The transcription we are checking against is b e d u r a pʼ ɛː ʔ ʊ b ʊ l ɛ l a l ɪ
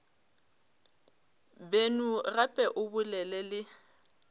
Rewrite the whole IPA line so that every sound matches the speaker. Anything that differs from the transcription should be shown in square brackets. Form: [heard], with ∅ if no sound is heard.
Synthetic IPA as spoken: b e [n] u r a pʼ [ɛ] ʔ ʊ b ʊ l ɛ l [ɛ] l ɪ